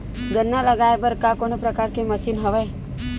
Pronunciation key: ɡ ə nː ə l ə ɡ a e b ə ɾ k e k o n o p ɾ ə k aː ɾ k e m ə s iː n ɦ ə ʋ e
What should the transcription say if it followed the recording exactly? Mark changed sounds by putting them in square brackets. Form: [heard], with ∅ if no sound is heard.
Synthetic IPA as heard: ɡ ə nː [a] l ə ɡ a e b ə ɾ k [a] k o n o p ɾ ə k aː ɾ k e m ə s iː n ɦ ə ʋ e